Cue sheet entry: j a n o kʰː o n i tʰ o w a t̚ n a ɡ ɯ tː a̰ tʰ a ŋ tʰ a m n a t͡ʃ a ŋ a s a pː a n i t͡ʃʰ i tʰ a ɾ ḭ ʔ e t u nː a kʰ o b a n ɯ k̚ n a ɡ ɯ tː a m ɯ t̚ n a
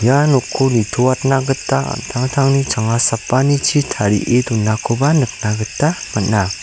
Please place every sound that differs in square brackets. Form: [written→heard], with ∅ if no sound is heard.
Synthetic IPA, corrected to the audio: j a n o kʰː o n i tʰ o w a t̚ n a ɡ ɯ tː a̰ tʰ a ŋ tʰ a [m→ŋ] n [a→i] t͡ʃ a ŋ a s a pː a n i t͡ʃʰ i tʰ a ɾ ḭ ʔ e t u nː a kʰ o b a n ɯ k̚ n a ɡ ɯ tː a m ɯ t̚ n a